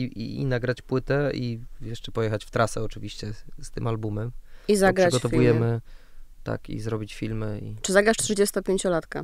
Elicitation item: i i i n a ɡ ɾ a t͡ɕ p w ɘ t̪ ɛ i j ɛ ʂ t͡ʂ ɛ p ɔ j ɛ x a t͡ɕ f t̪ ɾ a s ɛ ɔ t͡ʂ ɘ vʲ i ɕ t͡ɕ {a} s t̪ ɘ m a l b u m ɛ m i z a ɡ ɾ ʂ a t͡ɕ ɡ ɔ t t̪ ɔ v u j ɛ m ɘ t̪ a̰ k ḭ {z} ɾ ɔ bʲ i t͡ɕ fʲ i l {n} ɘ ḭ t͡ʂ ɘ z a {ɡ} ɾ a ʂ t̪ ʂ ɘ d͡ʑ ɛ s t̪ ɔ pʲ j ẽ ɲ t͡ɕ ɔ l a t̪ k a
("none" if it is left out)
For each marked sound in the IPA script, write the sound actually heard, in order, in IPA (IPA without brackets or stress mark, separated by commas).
ɛ, z, m, ɡ